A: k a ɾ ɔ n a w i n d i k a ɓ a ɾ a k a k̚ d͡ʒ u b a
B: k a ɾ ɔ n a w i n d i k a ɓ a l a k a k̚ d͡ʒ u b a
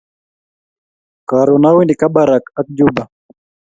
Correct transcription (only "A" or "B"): A